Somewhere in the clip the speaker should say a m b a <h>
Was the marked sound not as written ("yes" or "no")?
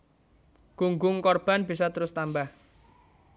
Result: no